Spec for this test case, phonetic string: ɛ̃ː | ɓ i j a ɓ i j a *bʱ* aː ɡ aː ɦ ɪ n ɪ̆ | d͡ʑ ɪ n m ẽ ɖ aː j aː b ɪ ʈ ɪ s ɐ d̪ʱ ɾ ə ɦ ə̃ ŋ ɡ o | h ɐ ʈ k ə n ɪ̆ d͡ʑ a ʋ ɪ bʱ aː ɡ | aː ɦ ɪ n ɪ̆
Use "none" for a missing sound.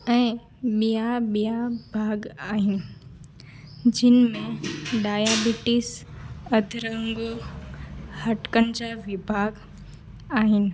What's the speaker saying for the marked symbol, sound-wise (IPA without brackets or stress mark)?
bʱ